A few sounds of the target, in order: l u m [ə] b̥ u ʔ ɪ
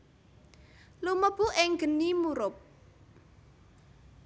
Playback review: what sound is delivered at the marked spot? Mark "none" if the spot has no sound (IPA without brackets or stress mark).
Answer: ə